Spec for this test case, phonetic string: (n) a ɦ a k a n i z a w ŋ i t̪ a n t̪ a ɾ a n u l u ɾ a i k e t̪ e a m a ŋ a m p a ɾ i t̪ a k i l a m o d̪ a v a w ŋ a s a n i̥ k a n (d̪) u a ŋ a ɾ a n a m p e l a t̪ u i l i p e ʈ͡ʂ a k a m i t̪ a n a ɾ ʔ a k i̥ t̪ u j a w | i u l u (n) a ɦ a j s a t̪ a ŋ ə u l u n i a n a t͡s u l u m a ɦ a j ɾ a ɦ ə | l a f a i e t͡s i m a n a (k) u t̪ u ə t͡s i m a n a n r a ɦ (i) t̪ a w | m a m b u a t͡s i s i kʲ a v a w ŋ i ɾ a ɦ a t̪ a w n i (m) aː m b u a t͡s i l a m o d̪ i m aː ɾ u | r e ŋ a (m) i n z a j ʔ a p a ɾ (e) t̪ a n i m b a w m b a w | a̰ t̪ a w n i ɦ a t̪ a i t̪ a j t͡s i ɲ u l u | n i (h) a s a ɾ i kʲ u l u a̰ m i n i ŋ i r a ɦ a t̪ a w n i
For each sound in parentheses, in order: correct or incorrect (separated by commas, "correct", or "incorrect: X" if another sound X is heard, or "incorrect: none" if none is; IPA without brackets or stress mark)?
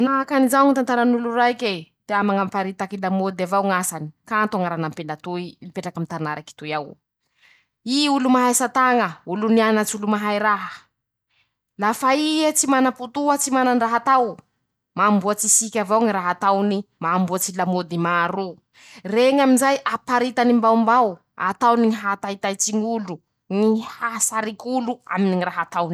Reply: correct, incorrect: t̪, incorrect: m, incorrect: p, incorrect: a, correct, correct, incorrect: i, correct